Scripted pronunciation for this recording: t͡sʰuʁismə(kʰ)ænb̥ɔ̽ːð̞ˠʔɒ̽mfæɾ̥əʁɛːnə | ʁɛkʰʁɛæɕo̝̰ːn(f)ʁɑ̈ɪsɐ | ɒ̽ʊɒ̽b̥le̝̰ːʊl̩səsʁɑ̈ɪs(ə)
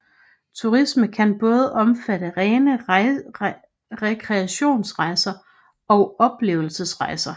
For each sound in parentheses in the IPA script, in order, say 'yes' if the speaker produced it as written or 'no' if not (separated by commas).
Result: yes, no, no